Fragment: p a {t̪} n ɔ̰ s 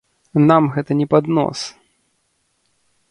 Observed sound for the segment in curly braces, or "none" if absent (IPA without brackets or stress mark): d̪